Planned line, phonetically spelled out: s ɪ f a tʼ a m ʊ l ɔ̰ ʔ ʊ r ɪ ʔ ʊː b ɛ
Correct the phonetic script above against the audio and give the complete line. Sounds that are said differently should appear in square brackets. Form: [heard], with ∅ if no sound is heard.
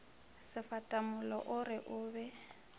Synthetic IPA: s ɪ f a tʼ a m ʊ l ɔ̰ ʔ ʊ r ɪ ʔ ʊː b ɛ